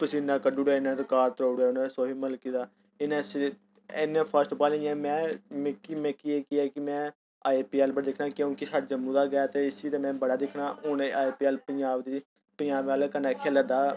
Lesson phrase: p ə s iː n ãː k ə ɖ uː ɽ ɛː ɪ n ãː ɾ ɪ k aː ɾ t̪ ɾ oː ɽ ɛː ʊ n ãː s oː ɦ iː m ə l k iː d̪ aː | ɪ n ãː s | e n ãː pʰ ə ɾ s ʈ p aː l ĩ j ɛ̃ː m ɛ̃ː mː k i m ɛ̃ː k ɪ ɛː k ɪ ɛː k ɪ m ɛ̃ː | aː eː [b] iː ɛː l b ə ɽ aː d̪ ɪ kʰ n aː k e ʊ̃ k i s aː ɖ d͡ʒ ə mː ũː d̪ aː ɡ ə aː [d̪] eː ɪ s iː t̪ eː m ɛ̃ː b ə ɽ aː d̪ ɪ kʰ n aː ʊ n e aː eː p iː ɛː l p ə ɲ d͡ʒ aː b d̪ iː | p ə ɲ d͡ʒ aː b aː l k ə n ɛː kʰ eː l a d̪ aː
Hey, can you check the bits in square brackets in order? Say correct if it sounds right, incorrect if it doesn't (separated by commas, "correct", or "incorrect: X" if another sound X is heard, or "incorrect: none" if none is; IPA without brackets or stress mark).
incorrect: p, incorrect: t̪